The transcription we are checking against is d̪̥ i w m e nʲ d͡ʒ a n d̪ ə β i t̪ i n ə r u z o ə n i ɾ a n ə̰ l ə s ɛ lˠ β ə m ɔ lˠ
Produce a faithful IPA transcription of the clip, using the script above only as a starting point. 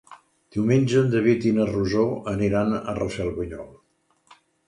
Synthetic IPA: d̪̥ i w m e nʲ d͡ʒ ə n d̪ ə β i t̪ i n ə r u z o ə n i ɾ a n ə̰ r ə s ɛ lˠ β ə ɲ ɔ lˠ